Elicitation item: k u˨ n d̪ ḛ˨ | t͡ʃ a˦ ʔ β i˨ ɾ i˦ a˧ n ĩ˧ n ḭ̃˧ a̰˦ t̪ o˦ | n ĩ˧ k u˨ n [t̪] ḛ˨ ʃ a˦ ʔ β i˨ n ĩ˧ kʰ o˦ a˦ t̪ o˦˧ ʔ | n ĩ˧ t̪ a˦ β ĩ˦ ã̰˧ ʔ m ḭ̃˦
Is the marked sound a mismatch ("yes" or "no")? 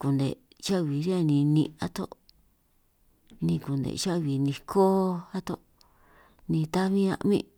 yes